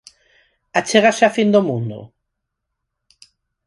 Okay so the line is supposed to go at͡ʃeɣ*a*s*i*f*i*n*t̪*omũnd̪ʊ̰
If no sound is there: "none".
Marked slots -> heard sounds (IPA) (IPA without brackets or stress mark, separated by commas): a, a, i, d̪